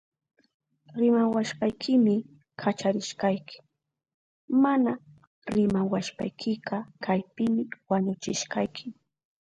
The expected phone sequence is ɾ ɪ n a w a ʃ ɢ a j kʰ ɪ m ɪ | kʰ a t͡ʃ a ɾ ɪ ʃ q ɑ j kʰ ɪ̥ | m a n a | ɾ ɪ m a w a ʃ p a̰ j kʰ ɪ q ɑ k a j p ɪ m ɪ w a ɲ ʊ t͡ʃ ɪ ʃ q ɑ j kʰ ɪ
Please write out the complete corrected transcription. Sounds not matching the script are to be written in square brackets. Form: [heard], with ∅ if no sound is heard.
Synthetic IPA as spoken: ɾ ɪ [m] a w a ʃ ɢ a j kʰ ɪ m ɪ | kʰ a t͡ʃ a ɾ ɪ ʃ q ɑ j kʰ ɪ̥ | m a n a | ɾ ɪ m a w a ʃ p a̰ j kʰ ɪ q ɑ k a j p ɪ m ɪ w a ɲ ʊ t͡ʃ ɪ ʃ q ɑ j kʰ ɪ